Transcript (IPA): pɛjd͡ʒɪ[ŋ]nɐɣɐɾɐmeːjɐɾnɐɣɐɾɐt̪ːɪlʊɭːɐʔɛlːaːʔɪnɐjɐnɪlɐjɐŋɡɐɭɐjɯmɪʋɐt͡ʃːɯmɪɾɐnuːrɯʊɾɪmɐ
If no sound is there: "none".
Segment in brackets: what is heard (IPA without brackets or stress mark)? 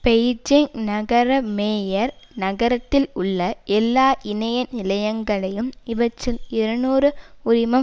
ŋ